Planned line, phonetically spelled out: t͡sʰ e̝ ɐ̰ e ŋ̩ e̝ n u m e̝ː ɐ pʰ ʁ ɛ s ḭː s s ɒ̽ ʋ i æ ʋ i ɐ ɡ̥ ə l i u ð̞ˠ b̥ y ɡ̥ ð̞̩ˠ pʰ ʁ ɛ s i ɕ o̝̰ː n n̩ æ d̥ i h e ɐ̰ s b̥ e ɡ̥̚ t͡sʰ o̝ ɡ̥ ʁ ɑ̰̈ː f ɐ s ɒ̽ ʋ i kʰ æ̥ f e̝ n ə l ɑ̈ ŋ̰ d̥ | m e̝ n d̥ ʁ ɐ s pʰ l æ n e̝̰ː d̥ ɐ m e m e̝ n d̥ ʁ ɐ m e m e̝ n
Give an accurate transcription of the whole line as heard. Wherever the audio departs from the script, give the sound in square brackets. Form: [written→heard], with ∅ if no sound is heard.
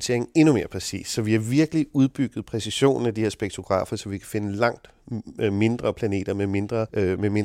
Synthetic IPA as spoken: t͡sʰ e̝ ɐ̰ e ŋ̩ e̝ n u m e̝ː ɐ pʰ ʁ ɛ s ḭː s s ɒ̽ ʋ i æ ʋ i ɐ ɡ̥ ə l i u ð̞ˠ b̥ y ɡ̥ ð̞̩ˠ pʰ ʁ ɛ s i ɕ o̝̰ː n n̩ æ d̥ i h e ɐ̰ s b̥ e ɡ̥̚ t͡sʰ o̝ ɡ̥ ʁ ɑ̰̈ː f ɐ s ɒ̽ ʋ i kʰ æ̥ f e̝ n ə l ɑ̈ ŋ̰ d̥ | m e̝ n d̥ ʁ ɐ [s→∅] pʰ l æ n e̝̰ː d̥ ɐ m e m e̝ n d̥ ʁ ɐ m e m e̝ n